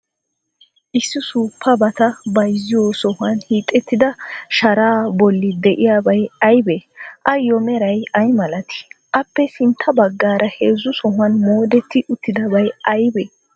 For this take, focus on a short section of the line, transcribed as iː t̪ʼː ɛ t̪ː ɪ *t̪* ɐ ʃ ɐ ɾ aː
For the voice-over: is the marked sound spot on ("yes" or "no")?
no